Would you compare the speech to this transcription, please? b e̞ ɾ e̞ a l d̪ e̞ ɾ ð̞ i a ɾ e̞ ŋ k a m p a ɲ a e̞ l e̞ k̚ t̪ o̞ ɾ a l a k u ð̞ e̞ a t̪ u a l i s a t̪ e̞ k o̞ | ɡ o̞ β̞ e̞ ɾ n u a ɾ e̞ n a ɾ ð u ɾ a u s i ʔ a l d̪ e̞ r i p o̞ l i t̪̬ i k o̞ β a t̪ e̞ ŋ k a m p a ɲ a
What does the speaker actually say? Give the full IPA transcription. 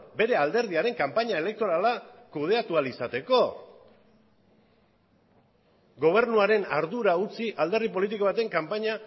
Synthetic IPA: b e̞ ɾ e̞ a l d̪ e̞ ɾ ð̞ i a ɾ e̞ ŋ k a m p a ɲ a e̞ l e̞ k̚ t̪ o̞ ɾ a l a k u ð̞ e̞ a t̪ u a l i s a t̪ e̞ k o̞ | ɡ o̞ β̞ e̞ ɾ n u a ɾ e̞ n a ɾ ð u ɾ a u t͡s i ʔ a l d̪ e̞ r i p o̞ l i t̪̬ i k o̞ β a t̪ e̞ ŋ k a m p a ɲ a